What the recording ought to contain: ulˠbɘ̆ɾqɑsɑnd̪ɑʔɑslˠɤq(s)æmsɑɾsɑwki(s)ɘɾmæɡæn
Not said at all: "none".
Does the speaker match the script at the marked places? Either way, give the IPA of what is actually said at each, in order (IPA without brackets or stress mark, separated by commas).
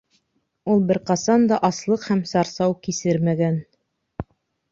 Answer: h, s